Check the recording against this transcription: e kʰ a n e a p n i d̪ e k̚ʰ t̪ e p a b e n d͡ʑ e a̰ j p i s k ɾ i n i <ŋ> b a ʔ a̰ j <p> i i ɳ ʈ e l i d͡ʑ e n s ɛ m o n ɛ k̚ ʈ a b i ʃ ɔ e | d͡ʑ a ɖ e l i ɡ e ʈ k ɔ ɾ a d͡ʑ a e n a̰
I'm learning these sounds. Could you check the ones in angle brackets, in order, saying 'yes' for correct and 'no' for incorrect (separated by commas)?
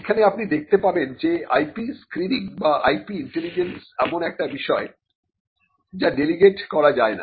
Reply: yes, yes